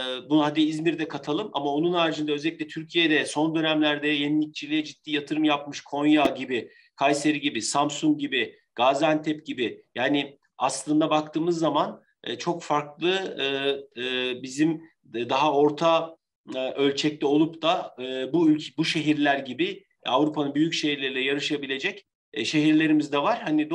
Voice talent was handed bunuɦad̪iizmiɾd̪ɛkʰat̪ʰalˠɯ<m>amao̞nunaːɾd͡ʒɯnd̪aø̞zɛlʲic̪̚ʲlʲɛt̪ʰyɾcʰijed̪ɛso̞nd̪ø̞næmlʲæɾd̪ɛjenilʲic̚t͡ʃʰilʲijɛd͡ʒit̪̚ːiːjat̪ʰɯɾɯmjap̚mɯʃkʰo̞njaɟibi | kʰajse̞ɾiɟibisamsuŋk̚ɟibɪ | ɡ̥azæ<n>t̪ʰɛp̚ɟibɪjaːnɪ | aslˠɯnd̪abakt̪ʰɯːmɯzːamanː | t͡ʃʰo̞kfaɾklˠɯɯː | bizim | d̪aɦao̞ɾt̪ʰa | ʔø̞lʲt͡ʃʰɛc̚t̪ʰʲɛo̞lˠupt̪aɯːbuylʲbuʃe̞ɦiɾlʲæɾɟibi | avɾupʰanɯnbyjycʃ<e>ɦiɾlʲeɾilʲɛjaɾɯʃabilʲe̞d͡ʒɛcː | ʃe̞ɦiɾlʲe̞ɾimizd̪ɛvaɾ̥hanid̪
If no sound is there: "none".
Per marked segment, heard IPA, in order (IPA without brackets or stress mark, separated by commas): m, n, e